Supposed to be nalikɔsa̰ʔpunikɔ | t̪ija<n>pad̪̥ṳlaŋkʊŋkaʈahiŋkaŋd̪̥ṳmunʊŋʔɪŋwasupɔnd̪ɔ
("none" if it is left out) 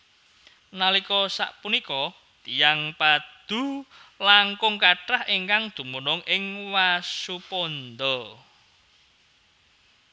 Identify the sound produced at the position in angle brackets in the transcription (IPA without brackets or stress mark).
ŋ